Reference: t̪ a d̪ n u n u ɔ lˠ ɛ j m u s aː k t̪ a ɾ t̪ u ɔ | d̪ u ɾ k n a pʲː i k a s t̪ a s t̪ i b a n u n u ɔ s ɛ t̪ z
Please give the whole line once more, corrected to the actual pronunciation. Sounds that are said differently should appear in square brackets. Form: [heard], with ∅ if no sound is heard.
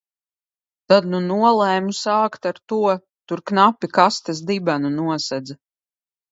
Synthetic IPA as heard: t̪ a d̪ n u n u ɔ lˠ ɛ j m u s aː k t̪ a ɾ t̪ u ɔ | [t̪] u ɾ k n a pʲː i k a s t̪ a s [d̪] i b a n u n u ɔ s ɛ [d̪] z